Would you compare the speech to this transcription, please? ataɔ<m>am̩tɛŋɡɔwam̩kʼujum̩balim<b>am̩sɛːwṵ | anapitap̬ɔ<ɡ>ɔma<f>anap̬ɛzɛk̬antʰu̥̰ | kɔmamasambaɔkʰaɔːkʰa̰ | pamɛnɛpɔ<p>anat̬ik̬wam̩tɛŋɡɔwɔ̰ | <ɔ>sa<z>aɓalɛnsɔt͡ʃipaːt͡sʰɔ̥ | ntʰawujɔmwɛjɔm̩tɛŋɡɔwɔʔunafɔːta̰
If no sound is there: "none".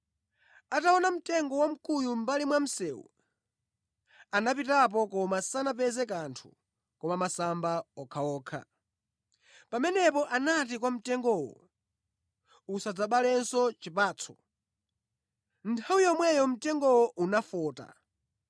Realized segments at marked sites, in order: n, w, k, s, ʔ, u, d͡z

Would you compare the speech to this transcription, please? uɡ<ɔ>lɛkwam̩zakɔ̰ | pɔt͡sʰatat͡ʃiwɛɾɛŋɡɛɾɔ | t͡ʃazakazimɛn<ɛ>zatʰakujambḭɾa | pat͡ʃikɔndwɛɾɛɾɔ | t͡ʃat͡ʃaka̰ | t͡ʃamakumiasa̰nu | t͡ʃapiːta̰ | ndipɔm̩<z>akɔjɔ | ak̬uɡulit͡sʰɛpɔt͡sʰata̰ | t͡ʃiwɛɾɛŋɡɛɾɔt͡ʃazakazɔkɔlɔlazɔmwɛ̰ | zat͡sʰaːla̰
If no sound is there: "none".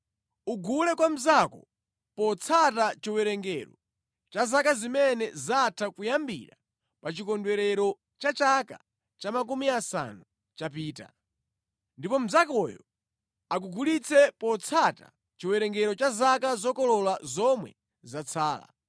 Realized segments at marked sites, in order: u, ɛ, z

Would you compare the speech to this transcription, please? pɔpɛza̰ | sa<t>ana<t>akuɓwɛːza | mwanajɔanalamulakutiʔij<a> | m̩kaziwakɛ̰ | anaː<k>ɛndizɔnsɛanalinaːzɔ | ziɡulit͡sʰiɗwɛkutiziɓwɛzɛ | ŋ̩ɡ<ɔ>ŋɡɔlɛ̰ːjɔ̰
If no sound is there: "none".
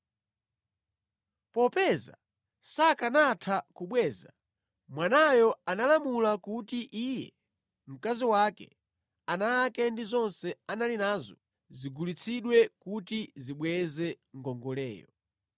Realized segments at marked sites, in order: k, tʰ, ɛ, k, ɔ

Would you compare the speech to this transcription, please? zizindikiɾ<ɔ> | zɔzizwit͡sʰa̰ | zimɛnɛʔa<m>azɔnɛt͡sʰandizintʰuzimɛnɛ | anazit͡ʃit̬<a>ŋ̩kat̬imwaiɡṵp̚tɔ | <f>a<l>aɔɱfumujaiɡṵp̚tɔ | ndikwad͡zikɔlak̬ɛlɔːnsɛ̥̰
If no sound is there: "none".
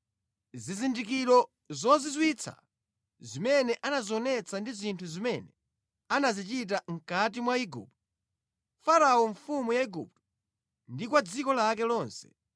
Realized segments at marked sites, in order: ɔ, n, a, f, ɾ

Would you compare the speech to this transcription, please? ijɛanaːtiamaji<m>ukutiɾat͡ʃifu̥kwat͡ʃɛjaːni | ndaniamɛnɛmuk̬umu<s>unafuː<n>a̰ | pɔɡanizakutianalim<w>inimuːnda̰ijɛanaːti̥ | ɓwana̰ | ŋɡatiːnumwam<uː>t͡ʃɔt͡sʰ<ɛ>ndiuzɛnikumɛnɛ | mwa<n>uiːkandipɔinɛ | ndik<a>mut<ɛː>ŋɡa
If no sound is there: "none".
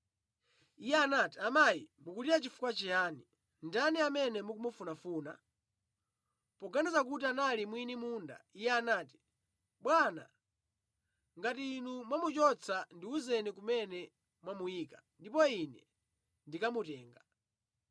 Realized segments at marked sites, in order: m, f, n, w, u, a, m, a, ɛː

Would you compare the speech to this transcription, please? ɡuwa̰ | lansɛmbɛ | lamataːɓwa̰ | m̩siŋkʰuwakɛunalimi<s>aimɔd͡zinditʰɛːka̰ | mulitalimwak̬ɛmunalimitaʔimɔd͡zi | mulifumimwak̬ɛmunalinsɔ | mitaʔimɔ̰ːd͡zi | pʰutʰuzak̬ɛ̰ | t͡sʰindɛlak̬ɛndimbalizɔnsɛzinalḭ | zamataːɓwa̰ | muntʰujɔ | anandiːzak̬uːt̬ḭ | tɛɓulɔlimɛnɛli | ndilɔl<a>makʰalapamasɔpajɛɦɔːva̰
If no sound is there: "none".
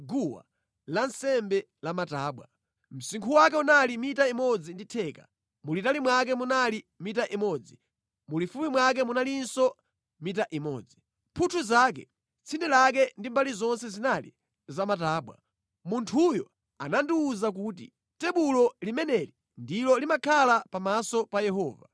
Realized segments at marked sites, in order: t, i

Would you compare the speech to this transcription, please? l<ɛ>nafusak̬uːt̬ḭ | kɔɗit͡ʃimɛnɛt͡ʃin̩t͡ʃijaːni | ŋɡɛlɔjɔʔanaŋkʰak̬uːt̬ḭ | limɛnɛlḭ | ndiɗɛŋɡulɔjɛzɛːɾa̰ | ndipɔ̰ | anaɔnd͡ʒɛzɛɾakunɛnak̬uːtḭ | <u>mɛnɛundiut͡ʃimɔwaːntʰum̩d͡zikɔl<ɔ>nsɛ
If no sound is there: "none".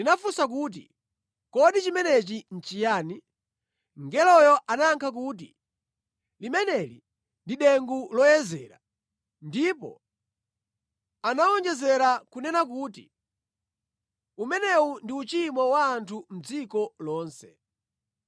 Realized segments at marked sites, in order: i, u, ɔː

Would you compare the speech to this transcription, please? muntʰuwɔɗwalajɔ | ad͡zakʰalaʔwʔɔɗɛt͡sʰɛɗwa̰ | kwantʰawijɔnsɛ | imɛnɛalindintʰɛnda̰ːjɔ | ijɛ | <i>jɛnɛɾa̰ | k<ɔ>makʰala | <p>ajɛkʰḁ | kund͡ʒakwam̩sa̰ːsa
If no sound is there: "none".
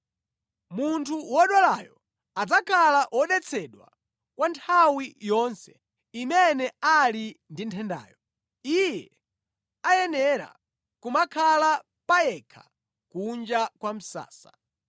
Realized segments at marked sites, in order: a, u, p

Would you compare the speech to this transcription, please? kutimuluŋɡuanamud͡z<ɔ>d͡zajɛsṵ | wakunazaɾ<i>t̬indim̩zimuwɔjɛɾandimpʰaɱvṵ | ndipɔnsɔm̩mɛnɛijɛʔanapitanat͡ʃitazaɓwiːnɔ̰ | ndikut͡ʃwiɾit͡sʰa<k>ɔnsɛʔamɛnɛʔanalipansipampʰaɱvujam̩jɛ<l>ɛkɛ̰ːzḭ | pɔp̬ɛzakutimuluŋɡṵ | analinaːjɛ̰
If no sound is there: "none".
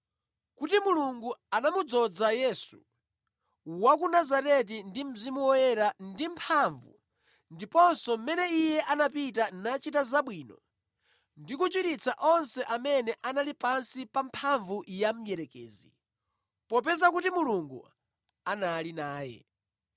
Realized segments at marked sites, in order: ɔ, ɛ, ʔ, ɾ

